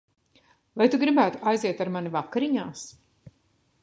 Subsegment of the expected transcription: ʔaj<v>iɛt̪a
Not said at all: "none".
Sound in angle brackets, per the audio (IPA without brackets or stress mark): z